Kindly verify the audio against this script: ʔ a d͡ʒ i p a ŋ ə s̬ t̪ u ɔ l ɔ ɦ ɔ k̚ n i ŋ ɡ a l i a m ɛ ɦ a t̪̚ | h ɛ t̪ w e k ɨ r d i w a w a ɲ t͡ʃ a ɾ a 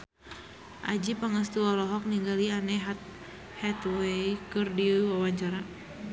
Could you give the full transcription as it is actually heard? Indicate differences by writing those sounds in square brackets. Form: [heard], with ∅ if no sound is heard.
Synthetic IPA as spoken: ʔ a d͡ʒ i p a ŋ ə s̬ t̪ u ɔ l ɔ ɦ ɔ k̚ n i ŋ ɡ a l i a [n] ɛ ɦ a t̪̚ | h ɛ t̪ w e k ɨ r d i w a w a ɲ t͡ʃ a ɾ a

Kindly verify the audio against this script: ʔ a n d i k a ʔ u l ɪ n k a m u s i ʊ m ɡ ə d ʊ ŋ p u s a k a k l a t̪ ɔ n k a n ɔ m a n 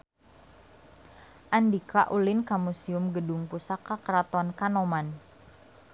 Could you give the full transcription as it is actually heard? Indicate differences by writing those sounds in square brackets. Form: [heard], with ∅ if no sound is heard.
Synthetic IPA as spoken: ʔ a n d i k a ʔ u l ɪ n k a m u s i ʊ m ɡ ə d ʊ ŋ p u s a k a k [ɾ] a t̪ ɔ n k a n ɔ m a n

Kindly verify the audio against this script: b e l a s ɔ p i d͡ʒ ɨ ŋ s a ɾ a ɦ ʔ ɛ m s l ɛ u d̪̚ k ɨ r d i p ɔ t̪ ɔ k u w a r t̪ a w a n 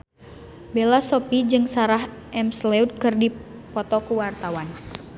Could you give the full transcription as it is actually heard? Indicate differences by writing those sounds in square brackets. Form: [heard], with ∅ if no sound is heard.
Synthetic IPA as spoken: b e l a s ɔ p i d͡ʒ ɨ ŋ s a ɾ a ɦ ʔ ɛ m s l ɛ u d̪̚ k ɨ r d i p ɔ t̪ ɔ k u w a r t̪ a w a n

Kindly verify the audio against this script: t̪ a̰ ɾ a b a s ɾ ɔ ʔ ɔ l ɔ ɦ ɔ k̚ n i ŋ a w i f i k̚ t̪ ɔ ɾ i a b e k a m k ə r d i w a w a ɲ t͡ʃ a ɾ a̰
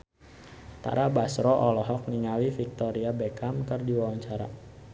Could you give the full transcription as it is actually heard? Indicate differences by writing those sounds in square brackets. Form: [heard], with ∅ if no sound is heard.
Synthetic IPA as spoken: t̪ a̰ ɾ a b a s ɾ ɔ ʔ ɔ l ɔ ɦ ɔ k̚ n i ŋ a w i f i k̚ t̪ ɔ ɾ i a b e k a m k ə r d i w a w a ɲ t͡ʃ a ɾ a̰

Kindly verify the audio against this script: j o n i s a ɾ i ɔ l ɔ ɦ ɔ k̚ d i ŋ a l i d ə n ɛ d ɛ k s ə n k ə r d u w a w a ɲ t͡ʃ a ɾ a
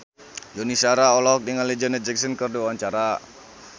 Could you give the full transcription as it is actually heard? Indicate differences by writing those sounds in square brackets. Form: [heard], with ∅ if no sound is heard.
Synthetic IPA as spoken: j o n i s a ɾ [a] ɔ l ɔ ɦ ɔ k̚ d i ŋ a l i [d͡ʒ] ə n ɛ [d͡ʒ] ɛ k s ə n k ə r d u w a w a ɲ t͡ʃ a ɾ a

